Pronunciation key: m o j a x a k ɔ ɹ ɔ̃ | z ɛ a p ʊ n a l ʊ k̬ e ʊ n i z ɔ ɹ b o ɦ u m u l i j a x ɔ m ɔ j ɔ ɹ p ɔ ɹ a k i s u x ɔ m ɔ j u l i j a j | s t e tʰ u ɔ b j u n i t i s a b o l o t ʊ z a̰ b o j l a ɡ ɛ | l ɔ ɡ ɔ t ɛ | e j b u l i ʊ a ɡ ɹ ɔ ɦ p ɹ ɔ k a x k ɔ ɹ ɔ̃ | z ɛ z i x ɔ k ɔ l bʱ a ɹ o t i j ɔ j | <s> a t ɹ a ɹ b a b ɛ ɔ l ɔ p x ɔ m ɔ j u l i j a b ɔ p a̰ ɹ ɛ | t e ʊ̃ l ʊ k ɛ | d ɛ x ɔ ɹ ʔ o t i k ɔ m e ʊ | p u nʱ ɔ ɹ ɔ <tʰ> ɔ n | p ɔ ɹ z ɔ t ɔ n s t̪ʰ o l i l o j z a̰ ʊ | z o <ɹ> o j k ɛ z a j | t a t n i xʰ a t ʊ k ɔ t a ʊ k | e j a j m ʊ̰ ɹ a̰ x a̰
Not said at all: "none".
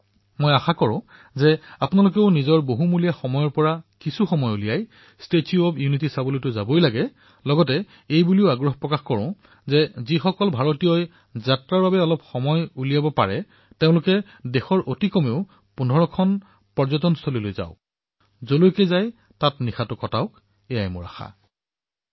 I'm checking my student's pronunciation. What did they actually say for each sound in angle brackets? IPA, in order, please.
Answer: z, kʰ, l

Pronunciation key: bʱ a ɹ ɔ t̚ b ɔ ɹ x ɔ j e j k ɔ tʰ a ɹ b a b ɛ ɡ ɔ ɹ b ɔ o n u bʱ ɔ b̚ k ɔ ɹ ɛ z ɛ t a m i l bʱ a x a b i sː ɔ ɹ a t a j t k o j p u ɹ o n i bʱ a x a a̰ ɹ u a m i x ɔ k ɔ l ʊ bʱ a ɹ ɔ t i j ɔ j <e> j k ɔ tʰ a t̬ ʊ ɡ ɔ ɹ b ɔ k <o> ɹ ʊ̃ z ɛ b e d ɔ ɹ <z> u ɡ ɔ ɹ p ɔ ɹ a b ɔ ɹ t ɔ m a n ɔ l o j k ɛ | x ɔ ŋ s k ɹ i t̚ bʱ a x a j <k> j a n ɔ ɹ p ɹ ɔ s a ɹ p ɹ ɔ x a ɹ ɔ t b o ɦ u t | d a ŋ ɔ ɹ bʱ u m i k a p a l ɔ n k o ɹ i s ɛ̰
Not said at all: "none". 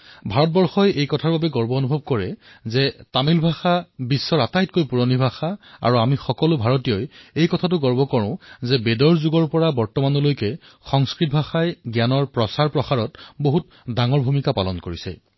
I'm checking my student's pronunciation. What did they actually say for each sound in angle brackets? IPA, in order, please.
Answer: e, ɔ, z, ɡ

